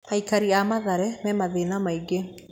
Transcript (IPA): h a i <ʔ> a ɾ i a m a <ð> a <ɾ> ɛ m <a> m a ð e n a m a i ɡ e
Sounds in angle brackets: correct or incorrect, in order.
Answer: incorrect, correct, correct, incorrect

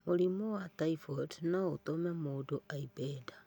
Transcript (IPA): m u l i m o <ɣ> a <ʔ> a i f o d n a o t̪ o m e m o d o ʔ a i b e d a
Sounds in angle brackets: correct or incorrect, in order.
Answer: incorrect, incorrect

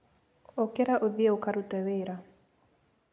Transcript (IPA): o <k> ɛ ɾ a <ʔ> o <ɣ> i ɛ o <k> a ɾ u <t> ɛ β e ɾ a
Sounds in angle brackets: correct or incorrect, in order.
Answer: correct, correct, incorrect, correct, correct

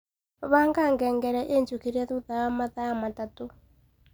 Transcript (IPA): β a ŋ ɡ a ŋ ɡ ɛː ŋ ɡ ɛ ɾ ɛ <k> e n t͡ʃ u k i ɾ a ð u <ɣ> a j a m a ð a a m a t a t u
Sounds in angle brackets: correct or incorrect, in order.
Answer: incorrect, incorrect

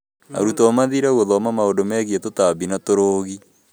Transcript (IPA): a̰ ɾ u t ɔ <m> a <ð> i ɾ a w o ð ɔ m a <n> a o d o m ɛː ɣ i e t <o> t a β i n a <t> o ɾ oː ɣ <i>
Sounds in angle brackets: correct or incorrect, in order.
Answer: correct, correct, incorrect, correct, correct, correct

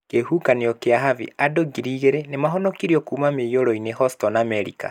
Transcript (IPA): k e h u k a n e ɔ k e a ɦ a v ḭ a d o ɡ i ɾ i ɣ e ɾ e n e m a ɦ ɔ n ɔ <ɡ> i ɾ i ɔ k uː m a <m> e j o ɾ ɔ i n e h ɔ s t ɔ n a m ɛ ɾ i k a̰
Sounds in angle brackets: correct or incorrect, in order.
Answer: incorrect, correct

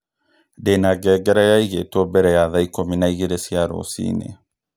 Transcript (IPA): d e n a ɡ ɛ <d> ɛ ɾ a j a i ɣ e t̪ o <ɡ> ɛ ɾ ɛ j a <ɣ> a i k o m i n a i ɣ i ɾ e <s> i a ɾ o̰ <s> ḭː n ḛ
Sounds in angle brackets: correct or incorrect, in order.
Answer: incorrect, incorrect, incorrect, correct, correct

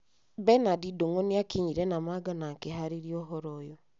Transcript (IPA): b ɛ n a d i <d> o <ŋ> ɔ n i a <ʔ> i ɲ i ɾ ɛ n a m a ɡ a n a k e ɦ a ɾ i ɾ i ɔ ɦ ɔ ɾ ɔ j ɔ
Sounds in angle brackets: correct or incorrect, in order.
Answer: correct, correct, incorrect

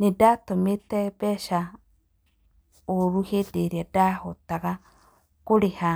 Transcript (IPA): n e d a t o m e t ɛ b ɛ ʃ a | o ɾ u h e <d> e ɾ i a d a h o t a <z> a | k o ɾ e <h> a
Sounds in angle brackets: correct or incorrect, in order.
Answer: correct, incorrect, correct

